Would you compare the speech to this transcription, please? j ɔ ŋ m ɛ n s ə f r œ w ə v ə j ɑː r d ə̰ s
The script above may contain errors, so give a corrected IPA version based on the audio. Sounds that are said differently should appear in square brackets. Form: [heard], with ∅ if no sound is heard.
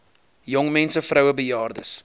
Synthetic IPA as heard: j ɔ ŋ m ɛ n s ə f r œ w ə [b] ə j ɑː r d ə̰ s